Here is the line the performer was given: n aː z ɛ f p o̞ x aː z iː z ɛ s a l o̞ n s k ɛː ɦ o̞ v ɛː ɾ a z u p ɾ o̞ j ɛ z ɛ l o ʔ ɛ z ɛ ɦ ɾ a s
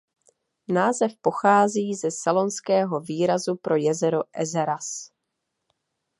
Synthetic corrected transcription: n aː z ɛ f p o̞ x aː z iː z ɛ s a l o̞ n s k ɛː ɦ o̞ v iː ɾ a z u p ɾ o̞ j ɛ z ɛ ɾ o ʔ ɛ z ɛ ɾ a s

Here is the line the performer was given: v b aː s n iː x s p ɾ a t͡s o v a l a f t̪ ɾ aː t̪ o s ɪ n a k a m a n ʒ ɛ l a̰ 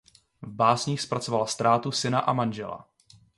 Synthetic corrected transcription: v b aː s ɲ iː x s p ɾ a t͡s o v a l a s t̪ ɾ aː t̪ u s ɪ n a ʔ a m a n ʒ ɛ l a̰

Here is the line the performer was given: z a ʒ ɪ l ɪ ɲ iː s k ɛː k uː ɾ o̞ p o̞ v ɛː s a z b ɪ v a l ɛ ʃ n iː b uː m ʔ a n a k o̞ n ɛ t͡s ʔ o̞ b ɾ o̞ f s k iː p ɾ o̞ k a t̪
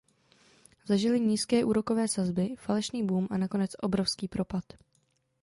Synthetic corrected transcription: z a ʒ ɪ l ɪ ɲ iː s k ɛː ʔ uː ɾ o̞ k o̞ v ɛː s a z b ɪ f a l ɛ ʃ n iː b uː m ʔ a n a k o̞ n ɛ t͡s ʔ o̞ b ɾ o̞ f s k iː p ɾ o̞ p a t̪

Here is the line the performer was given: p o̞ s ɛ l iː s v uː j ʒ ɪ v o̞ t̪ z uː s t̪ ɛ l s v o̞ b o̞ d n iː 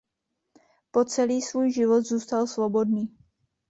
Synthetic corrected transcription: p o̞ t͡s ɛ l iː s v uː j ʒ ɪ v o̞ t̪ z uː s t̪ a l s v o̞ b o̞ d n iː

